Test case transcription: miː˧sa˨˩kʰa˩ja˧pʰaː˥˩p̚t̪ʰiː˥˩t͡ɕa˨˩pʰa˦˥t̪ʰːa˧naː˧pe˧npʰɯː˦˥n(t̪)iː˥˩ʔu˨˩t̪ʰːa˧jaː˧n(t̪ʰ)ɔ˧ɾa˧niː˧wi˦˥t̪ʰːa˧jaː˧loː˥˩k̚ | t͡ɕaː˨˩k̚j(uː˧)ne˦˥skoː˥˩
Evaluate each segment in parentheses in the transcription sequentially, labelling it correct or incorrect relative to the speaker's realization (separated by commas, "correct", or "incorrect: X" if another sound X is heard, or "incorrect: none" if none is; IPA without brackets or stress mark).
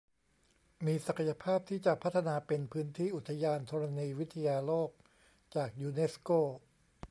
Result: incorrect: t̪ʰ, correct, correct